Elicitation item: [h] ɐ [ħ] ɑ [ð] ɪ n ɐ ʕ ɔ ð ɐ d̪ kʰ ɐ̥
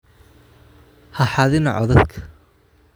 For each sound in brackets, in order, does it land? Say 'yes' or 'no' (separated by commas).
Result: yes, yes, yes